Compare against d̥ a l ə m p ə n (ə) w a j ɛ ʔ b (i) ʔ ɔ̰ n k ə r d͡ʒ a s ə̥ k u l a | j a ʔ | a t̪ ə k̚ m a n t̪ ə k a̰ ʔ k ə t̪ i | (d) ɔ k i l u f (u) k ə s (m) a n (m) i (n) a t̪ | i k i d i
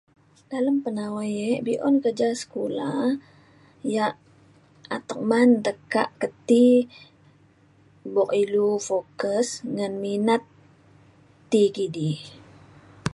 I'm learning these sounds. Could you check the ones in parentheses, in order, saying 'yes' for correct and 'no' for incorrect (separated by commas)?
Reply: no, yes, no, no, no, yes, yes